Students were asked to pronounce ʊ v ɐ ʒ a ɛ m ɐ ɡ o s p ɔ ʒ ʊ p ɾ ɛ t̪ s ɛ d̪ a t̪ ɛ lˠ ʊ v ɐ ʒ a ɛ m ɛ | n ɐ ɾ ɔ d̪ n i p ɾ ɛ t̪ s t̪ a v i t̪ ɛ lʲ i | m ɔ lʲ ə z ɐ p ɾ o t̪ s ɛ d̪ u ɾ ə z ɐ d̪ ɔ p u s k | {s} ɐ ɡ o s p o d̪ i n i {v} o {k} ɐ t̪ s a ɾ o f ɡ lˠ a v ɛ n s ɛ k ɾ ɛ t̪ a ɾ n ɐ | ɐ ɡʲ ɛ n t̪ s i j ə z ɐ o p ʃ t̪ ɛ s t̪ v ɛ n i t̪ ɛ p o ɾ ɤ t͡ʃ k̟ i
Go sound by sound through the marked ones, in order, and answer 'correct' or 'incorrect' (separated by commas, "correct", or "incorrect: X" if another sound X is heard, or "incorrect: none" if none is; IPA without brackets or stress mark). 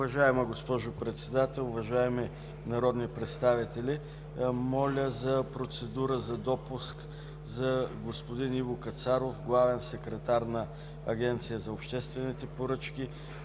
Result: incorrect: z, correct, correct